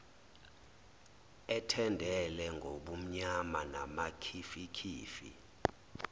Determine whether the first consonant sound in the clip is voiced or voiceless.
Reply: voiceless